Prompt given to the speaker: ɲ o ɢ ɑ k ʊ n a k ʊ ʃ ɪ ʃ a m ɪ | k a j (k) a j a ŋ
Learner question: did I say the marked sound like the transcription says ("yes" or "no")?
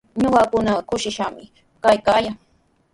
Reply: yes